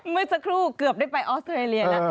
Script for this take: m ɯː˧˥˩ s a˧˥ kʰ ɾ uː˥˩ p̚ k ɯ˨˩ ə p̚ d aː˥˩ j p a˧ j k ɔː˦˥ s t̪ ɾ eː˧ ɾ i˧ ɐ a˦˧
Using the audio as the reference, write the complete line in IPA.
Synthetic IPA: m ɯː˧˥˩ s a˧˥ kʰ ɾ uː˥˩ k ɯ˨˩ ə p̚ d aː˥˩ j p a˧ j ʔ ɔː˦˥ s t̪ ɾ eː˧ l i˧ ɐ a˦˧